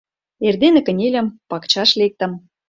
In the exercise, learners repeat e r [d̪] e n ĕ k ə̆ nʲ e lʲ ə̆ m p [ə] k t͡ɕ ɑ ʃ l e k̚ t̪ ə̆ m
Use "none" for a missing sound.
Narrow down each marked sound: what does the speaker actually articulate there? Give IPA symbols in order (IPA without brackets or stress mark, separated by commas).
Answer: d̪, ɑ